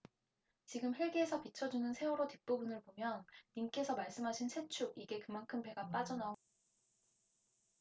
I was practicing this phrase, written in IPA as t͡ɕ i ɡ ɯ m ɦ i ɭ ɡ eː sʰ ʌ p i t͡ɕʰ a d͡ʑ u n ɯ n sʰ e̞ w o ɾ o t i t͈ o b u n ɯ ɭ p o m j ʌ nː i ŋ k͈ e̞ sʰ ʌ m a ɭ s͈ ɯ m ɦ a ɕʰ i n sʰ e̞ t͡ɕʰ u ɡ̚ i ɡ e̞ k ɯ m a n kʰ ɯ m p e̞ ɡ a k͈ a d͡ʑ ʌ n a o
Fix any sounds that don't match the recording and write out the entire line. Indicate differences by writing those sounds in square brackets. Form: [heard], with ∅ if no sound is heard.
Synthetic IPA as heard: t͡ɕ i ɡ ɯ m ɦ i ɭ ɡ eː sʰ ʌ p i t͡ɕʰ [ʌ] d͡ʑ u n ɯ n sʰ e̞ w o ɾ o t i [p͈] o b u n ɯ ɭ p o m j ʌ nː i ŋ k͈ e̞ sʰ ʌ m a ɭ s͈ ɯ m ɦ a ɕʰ i n sʰ e̞ t͡ɕʰ u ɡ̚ i ɡ e̞ k ɯ m a n kʰ ɯ m p e̞ ɡ a [p͈] a d͡ʑ ʌ n a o

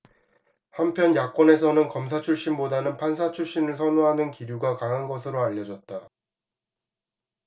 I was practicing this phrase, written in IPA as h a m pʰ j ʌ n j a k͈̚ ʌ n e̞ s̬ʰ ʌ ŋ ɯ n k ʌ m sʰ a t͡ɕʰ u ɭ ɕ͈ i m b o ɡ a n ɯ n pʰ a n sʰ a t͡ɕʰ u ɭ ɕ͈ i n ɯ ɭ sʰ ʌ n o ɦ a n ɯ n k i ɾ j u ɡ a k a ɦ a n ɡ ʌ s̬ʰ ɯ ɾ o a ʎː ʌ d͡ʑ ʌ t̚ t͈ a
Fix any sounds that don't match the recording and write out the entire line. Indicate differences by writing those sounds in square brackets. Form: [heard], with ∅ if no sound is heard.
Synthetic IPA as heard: h a m pʰ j ʌ n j a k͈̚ ʌ n e̞ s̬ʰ ʌ [n] ɯ n k ʌ m sʰ a t͡ɕʰ u ɭ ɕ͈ i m b o [d] a n ɯ n pʰ a n sʰ a t͡ɕʰ u ɭ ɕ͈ i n ɯ ɭ sʰ ʌ n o ɦ a n ɯ n k i ɾ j u ɡ a k a ɦ a n ɡ ʌ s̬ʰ ɯ ɾ o a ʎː ʌ d͡ʑ ʌ t̚ t͈ a

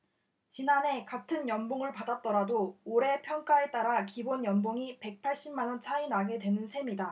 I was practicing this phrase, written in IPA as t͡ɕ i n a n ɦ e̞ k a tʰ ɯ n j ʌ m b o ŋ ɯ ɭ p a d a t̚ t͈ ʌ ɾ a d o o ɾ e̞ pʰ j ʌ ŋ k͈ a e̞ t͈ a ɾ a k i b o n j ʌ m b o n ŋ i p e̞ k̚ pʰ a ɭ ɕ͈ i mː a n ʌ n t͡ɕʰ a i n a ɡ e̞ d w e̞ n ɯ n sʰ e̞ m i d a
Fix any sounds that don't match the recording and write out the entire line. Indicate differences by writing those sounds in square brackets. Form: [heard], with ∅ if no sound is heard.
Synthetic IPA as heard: t͡ɕ i n a n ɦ e̞ k a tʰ ɯ n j ʌ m b o ŋ ɯ ɭ p a d a t̚ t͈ ʌ ɾ a d o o ɾ e̞ pʰ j ʌ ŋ k͈ a e̞ t͈ a ɾ a k i b o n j ʌ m b o [∅] ŋ i p e̞ k̚ pʰ a ɭ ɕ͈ i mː a n ʌ n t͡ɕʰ a i n a ɡ e̞ d w e̞ n ɯ n sʰ e̞ m i d a

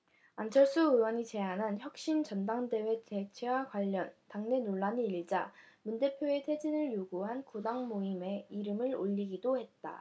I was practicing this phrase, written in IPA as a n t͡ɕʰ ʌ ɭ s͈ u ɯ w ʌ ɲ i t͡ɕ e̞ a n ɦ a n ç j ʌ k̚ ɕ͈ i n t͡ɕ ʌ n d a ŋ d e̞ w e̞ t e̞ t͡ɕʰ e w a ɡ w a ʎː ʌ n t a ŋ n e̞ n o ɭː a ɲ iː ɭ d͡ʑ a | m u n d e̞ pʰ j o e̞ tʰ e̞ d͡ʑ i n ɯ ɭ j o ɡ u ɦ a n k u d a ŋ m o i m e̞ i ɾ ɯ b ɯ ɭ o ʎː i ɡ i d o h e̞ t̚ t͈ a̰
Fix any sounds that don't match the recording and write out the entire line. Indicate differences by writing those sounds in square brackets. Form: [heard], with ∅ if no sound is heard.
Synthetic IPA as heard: a n t͡ɕʰ ʌ ɭ s͈ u ɯ w ʌ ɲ i t͡ɕ e̞ a n ɦ a n ç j ʌ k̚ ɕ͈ i n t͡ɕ ʌ n d a ŋ d e̞ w e̞ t e̞ t͡ɕʰ e w a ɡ w a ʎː ʌ n t a ŋ n e̞ n o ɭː a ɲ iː ɭ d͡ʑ a | m u n d e̞ pʰ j o e̞ tʰ e̞ d͡ʑ i n ɯ ɭ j o ɡ u ɦ a n k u d a ŋ m o i m e̞ i ɾ ɯ [m] ɯ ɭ o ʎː i ɡ i d o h e̞ t̚ t͈ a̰

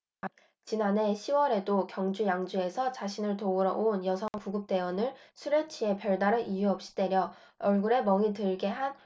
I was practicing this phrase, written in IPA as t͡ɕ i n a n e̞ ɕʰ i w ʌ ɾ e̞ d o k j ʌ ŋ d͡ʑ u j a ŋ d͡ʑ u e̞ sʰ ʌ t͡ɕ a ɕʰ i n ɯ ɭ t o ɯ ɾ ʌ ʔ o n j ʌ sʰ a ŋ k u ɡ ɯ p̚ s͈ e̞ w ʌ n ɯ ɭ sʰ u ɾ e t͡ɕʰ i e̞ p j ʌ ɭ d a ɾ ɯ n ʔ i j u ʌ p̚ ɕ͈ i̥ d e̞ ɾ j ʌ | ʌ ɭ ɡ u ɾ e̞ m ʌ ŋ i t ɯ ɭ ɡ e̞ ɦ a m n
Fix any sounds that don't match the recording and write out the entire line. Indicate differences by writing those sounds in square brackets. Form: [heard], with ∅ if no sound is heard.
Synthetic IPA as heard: t͡ɕ i n a n e̞ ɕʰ i w ʌ ɾ e̞ d o k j ʌ ŋ d͡ʑ u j a ŋ d͡ʑ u e̞ sʰ ʌ t͡ɕ a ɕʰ i n ɯ ɭ t o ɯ ɾ ʌ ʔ o n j ʌ sʰ [ʌ] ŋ k u ɡ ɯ p̚ [t͈] e̞ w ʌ n ɯ ɭ sʰ u ɾ e t͡ɕʰ i e̞ p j ʌ ɭ d a ɾ ɯ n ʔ i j u ʌ p̚ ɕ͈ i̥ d e̞ ɾ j ʌ | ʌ ɭ ɡ u ɾ e̞ m ʌ ŋ i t ɯ ɭ ɡ e̞ ɦ a [∅] n

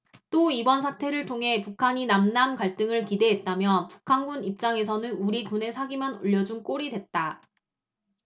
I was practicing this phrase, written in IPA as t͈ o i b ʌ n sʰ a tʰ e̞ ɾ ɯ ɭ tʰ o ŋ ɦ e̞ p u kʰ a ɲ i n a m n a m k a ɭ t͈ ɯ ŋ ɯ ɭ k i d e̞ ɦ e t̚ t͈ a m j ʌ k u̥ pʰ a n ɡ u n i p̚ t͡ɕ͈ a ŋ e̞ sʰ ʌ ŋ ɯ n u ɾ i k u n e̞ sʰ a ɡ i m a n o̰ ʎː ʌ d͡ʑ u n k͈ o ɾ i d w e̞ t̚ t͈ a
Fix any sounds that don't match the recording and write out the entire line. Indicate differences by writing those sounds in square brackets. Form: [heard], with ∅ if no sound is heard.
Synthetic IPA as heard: t͈ o i b ʌ n sʰ a tʰ e̞ ɾ ɯ ɭ tʰ o ŋ ɦ e̞ p u kʰ a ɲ i n a m n a m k a ɭ t͈ ɯ ŋ ɯ ɭ k i d e̞ ɦ e t̚ t͈ a m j ʌ [p] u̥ [kʰ] a n ɡ u n i p̚ t͡ɕ͈ a ŋ e̞ sʰ ʌ [n] ɯ n u ɾ i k u n e̞ sʰ a ɡ i m a n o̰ ʎː ʌ d͡ʑ u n k͈ o ɾ i d w e̞ t̚ t͈ a

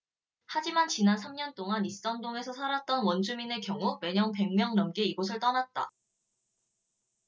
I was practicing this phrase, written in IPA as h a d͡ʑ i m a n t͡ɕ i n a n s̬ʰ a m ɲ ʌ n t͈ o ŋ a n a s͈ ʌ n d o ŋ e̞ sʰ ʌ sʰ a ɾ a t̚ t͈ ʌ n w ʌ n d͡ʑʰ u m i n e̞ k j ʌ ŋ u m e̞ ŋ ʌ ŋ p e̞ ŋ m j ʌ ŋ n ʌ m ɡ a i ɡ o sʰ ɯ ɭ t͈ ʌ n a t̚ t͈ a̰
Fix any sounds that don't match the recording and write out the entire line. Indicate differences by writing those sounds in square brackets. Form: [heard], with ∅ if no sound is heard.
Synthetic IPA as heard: h a d͡ʑ i m a n t͡ɕ i n a n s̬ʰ a m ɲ ʌ n t͈ o ŋ a n [i] s͈ ʌ n d o ŋ e̞ sʰ ʌ sʰ a ɾ a t̚ t͈ ʌ n w ʌ n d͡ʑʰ u m i n e̞ k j ʌ ŋ u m e̞ [ɲ] ʌ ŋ p e̞ ŋ m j ʌ ŋ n ʌ m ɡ [e] i ɡ o sʰ ɯ ɭ t͈ ʌ n a t̚ t͈ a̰

